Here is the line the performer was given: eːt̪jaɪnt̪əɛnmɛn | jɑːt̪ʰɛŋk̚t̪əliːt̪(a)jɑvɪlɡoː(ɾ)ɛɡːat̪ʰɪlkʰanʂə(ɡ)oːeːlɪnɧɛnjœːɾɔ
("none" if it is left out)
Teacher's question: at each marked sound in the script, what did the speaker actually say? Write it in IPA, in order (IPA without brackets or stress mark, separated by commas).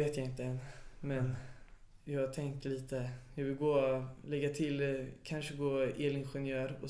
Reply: ə, l, ɡ